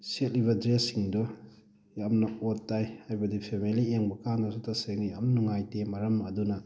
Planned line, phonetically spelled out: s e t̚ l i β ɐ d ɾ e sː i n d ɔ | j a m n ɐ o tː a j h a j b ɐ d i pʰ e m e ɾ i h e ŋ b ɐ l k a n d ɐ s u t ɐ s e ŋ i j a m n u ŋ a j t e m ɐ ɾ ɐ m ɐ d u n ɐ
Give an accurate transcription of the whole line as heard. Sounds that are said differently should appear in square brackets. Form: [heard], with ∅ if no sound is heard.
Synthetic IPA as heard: s e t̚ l i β ɐ d ɾ e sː i [ŋ] d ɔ | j a m n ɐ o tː a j h a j b ɐ d i pʰ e m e [l] i [∅] e ŋ b ɐ [∅] k a n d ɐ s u t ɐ s e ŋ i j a m n u ŋ a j t e m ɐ ɾ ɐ m ɐ d u n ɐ